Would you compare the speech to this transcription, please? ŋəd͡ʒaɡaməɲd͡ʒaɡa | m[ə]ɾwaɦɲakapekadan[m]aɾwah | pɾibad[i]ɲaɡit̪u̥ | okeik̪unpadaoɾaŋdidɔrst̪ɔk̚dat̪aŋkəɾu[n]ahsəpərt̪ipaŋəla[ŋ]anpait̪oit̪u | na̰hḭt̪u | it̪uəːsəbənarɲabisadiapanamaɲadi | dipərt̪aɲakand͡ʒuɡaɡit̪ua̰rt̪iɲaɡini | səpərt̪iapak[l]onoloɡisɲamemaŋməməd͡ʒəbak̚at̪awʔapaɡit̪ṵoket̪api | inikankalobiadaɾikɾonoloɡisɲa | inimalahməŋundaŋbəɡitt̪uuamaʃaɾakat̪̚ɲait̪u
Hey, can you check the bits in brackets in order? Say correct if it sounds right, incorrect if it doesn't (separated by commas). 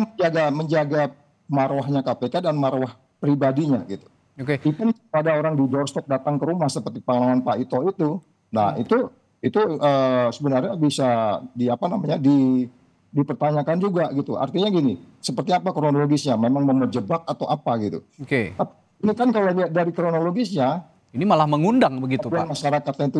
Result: incorrect, correct, correct, incorrect, correct, incorrect